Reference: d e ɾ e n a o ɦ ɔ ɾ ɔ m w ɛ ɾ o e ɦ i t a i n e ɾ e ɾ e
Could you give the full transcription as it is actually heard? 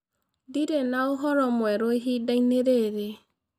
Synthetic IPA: d i ɾ e n a o ɦ ɔ ɾ ɔ m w ɛ ɾ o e ɦ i d a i n e ɾ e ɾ e